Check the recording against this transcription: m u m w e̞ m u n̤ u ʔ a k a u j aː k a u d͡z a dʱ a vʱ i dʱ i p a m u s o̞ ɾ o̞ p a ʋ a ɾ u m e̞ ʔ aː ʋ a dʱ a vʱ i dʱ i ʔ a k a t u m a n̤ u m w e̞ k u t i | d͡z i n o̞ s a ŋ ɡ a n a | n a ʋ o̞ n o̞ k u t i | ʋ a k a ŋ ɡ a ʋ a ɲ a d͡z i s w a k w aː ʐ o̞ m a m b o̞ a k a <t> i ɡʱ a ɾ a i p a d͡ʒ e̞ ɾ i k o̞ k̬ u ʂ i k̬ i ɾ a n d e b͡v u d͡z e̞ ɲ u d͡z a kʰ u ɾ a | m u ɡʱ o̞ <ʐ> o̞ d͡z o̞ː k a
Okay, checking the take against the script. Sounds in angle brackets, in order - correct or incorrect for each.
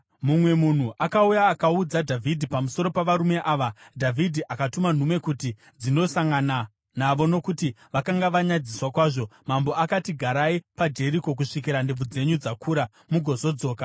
correct, incorrect

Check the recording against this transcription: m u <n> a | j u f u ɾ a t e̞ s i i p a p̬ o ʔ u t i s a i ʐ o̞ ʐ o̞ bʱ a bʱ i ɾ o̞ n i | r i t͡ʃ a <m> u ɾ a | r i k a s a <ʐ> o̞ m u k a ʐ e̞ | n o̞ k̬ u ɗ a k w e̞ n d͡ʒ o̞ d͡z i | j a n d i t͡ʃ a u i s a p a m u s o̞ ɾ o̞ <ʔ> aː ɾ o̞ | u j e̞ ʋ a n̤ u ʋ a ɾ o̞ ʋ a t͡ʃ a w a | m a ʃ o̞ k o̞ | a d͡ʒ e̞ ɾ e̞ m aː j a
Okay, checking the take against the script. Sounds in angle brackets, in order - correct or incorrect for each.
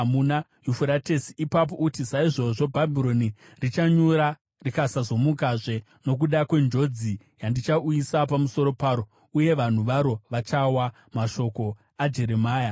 correct, incorrect, incorrect, incorrect

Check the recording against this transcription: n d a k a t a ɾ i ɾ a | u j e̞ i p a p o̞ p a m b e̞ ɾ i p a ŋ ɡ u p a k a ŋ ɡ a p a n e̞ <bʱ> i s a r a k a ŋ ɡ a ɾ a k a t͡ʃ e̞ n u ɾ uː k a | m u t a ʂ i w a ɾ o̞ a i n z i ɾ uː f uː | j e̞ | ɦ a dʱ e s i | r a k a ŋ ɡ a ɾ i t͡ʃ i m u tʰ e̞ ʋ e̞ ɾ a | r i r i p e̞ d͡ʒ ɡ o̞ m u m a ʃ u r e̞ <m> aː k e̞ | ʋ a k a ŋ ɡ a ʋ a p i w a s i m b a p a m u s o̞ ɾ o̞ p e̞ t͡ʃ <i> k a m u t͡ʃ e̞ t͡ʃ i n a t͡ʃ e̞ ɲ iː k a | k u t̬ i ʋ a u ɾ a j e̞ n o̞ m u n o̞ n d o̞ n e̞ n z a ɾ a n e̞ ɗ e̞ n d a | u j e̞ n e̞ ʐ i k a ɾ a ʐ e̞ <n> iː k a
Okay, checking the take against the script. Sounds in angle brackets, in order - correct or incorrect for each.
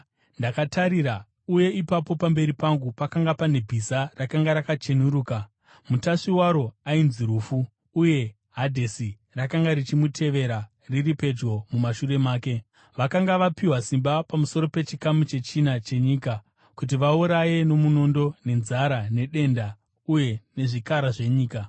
correct, correct, correct, incorrect

